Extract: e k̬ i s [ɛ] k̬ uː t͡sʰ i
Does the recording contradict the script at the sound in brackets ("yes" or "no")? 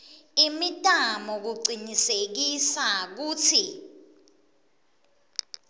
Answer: yes